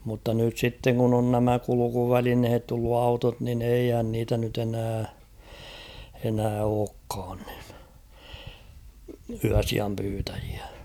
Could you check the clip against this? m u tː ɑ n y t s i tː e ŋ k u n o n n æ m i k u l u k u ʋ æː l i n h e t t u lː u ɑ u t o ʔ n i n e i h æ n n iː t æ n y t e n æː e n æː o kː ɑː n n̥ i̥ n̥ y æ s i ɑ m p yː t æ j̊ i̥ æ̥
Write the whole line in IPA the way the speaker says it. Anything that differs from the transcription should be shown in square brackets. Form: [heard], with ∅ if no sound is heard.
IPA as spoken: m u tː ɑ n y t s i tː e ŋ k u n o n n æ m [æ] k u l u k u ʋ [æ] l i n h e t t u lː u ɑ u t o [t] n i n e i h æ n n iː t æ n y t e n æː e n æː [oː] kː ɑː n n̥ i̥ n̥ y æ s i ɑ m p yː t æ j̊ i̥ æ̥